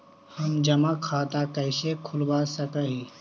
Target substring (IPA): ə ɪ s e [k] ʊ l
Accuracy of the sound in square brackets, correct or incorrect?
incorrect